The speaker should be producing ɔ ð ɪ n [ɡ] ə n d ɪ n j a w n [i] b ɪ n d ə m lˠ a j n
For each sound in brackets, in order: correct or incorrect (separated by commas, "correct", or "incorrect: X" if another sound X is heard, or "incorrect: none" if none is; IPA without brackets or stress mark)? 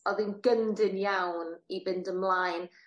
correct, correct